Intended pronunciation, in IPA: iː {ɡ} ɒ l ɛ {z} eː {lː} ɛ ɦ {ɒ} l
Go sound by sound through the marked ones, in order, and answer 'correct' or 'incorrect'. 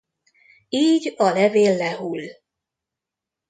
incorrect: ɟ, incorrect: v, correct, incorrect: u

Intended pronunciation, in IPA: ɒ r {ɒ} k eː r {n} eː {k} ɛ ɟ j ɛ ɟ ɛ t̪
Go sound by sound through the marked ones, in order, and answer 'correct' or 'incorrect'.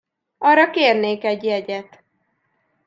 correct, correct, correct

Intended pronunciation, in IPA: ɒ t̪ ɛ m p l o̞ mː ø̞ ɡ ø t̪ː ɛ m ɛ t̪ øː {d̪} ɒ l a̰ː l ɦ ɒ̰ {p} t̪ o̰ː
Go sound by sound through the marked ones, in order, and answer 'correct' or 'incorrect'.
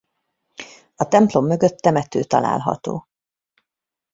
incorrect: t̪, incorrect: none

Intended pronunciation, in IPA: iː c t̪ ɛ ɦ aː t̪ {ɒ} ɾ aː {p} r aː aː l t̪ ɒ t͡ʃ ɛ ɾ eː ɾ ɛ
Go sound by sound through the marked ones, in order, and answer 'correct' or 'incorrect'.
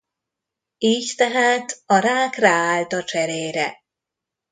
correct, incorrect: k

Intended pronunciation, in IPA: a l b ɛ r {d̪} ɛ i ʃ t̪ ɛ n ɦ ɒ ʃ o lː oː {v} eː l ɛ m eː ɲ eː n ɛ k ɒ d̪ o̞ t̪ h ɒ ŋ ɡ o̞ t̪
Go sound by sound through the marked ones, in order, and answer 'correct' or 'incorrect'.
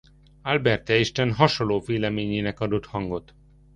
incorrect: t̪, correct

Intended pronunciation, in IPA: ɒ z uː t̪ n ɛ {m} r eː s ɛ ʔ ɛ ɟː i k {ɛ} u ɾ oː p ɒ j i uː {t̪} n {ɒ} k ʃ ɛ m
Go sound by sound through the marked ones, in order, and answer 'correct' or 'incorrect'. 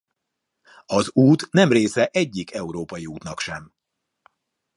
correct, correct, correct, correct

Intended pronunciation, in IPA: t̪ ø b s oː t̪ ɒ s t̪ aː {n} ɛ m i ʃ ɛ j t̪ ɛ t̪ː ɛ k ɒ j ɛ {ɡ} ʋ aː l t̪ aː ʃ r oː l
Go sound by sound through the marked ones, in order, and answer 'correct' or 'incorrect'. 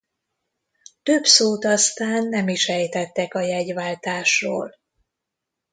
incorrect: nː, incorrect: ɟ

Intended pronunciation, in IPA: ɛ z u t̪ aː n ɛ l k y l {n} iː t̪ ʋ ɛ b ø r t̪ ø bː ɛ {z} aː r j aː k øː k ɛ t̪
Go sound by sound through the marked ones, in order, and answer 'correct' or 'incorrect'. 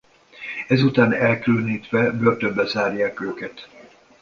correct, correct

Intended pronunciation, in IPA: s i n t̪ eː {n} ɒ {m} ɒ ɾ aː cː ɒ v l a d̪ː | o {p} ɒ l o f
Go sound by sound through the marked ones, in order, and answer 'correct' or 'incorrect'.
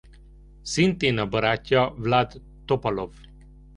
correct, incorrect: b, correct

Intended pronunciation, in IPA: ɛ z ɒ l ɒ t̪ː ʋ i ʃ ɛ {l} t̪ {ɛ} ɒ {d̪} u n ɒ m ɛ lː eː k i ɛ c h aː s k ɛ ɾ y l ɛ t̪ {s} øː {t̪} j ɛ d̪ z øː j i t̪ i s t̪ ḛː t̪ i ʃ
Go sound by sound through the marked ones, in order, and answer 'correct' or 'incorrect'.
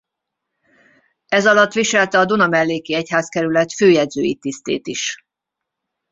correct, correct, correct, incorrect: f, incorrect: none

